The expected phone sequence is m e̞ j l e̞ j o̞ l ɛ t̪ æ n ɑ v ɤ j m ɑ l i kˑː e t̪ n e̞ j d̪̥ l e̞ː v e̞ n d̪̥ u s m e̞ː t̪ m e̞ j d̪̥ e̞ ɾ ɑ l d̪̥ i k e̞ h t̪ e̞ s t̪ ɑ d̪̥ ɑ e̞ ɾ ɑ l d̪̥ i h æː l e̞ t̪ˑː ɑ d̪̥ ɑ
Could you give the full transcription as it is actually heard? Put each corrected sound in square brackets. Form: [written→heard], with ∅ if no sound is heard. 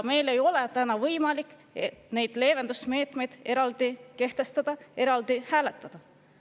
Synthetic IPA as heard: m e̞ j l e̞ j o̞ l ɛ t̪ æ n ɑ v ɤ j m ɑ l i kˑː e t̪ n e̞ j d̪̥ l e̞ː v e̞ n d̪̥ u s m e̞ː t̪ m e̞ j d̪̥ e̞ ɾ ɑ l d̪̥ i k e̞ h t̪ e̞ s t̪ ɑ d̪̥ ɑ e̞ ɾ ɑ l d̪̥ i h æː l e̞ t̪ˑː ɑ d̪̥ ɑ